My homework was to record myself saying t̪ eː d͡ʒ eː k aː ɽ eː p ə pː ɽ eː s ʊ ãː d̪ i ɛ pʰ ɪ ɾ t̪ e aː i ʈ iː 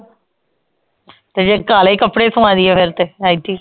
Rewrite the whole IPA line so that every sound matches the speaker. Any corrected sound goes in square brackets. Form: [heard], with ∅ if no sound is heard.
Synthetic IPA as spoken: t̪ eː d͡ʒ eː k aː [l] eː [k] ə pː ɽ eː s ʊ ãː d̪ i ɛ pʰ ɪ ɾ t̪ e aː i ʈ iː